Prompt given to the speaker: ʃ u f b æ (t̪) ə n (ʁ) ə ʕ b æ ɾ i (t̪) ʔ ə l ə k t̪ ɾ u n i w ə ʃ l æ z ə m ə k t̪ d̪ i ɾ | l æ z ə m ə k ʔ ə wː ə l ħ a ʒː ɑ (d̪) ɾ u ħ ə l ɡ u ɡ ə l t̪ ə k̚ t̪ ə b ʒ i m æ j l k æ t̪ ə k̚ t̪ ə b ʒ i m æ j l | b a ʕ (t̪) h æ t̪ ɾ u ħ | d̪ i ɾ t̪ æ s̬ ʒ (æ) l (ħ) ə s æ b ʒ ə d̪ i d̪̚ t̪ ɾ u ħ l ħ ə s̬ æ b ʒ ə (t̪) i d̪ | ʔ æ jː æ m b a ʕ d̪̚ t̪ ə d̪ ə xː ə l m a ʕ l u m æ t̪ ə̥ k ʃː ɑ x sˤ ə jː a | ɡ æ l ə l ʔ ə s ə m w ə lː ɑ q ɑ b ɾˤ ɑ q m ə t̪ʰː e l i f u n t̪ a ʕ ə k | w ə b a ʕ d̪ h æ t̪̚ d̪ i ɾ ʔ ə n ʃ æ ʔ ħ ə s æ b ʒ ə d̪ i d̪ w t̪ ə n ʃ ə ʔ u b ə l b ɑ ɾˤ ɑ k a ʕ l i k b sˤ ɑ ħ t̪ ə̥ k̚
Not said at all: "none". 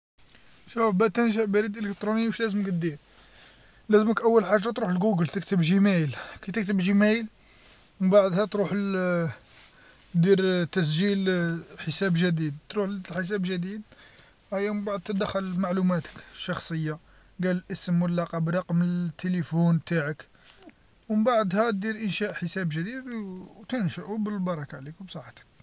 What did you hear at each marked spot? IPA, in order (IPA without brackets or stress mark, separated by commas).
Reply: t̪, ʒ, d̪, t̪, d̪, i, ħ, d̪